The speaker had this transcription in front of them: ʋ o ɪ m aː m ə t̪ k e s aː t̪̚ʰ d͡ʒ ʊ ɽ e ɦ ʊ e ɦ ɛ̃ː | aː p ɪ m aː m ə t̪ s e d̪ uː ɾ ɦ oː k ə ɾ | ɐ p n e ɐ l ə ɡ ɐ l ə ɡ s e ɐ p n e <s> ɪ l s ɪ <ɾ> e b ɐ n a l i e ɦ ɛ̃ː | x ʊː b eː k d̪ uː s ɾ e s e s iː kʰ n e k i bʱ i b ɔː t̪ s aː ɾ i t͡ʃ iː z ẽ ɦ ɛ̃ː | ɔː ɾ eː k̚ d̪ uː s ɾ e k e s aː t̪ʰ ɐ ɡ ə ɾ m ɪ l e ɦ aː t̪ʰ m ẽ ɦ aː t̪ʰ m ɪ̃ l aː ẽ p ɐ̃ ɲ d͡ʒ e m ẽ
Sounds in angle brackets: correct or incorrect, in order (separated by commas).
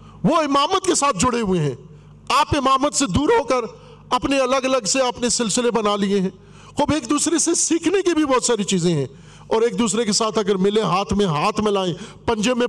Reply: correct, incorrect